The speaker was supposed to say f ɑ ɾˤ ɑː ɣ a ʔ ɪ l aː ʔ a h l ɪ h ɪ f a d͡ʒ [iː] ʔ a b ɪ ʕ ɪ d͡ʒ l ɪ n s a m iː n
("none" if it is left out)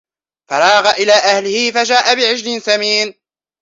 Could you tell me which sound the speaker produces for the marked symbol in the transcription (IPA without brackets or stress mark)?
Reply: aː